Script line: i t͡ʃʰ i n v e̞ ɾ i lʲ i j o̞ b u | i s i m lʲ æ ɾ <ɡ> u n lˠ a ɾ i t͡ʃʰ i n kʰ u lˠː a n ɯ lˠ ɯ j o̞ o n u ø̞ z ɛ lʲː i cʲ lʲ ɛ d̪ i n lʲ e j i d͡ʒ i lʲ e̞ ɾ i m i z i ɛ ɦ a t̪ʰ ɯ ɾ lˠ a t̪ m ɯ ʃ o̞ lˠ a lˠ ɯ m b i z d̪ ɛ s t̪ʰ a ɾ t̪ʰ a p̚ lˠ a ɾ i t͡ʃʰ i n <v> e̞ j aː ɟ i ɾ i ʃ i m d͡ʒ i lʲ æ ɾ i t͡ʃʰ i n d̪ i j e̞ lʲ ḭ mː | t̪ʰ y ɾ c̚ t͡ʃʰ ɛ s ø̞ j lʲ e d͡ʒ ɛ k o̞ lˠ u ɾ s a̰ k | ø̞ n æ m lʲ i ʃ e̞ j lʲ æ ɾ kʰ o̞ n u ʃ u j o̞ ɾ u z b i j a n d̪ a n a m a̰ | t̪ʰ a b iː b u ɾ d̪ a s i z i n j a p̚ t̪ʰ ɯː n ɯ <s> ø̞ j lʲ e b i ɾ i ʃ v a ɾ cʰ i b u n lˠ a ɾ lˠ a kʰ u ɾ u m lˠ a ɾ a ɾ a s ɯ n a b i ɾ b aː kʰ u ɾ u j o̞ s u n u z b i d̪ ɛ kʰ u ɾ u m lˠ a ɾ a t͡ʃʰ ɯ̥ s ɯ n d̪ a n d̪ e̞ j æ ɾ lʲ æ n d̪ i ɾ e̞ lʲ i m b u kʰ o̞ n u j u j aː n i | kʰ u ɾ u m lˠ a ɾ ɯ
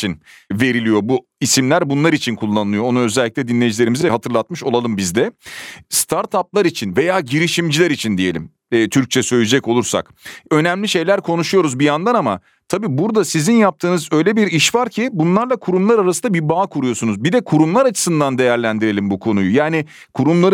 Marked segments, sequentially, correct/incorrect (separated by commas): incorrect, correct, incorrect